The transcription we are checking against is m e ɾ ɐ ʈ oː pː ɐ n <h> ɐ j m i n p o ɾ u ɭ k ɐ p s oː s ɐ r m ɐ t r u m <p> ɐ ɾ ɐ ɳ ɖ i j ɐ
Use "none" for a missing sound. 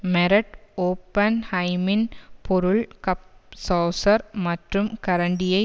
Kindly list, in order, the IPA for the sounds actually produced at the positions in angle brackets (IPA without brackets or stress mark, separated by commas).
h, k